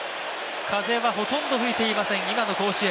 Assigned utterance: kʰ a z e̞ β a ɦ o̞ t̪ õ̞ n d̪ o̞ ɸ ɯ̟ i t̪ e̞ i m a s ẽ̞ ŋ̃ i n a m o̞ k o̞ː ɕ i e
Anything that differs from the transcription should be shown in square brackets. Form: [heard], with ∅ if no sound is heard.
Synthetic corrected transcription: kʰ a z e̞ β a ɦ o̞ t̪ õ̞ n d̪ o̞ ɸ ɯ̟ i t̪ e̞ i m a s ẽ̞ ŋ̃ i [m] a [n] o̞ k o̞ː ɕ i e